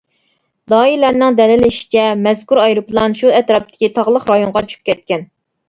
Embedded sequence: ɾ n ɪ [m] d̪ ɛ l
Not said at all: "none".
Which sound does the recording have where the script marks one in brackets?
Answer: ŋ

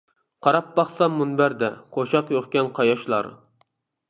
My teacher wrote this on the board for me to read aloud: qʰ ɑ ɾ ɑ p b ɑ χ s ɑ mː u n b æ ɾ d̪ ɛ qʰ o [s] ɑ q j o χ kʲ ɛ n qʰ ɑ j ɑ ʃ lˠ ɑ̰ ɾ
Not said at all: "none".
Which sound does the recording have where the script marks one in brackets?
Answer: ʃ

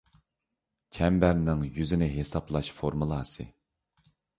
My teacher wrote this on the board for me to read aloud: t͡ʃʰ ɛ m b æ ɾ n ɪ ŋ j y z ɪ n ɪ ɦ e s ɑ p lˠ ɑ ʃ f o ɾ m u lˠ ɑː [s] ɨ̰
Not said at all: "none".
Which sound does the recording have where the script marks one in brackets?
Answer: s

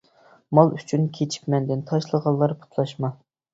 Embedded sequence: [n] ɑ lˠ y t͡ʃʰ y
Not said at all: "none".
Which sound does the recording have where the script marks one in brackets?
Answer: m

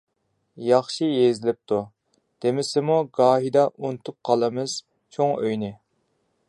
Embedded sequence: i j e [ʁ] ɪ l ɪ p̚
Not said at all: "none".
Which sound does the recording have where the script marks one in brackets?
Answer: z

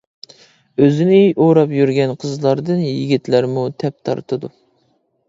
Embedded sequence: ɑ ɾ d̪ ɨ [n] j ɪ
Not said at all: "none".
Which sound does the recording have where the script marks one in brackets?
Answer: n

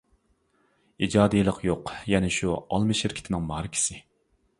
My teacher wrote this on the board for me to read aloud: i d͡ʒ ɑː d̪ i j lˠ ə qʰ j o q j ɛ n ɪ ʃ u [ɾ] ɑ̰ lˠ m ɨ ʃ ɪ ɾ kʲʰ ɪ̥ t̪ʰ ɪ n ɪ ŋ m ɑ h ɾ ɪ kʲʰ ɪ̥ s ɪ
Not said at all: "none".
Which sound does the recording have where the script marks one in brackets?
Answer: none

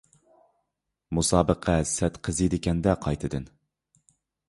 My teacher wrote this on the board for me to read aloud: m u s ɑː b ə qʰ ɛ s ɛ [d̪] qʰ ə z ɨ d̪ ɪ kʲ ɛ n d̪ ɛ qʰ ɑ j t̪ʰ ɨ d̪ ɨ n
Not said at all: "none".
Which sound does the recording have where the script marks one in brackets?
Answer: t̪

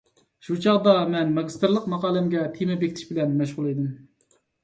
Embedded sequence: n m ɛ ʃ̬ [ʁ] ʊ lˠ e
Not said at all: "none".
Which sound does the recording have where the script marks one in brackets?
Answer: ʁ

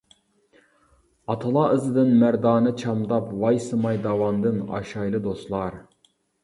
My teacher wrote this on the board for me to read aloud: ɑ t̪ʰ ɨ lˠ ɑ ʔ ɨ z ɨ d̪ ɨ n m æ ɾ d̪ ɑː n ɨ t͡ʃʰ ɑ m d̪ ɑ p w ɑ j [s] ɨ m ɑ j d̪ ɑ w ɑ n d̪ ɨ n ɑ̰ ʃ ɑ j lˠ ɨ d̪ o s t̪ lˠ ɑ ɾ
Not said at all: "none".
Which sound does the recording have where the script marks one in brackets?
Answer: s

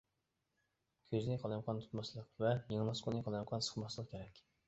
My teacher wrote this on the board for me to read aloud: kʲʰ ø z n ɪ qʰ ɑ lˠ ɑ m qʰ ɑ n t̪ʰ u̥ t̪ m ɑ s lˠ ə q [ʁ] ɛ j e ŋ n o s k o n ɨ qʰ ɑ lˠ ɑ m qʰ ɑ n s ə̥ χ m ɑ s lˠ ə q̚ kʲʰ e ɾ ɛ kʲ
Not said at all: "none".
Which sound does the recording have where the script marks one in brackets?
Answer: v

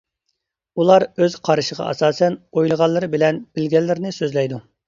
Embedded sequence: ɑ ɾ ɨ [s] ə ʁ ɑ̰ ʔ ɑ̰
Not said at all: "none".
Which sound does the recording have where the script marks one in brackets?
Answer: ʃ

